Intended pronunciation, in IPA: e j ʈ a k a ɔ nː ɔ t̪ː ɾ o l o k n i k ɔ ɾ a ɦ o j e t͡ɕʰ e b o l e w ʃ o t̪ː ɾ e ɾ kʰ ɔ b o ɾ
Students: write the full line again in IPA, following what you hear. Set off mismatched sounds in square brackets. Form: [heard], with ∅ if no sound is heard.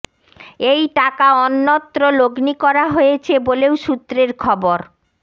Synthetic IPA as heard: e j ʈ a k a ɔ nː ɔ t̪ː ɾ o l o [ɡ] n i k ɔ ɾ a ɦ o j e t͡ɕʰ e b o l e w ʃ [u] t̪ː ɾ e ɾ kʰ ɔ b o ɾ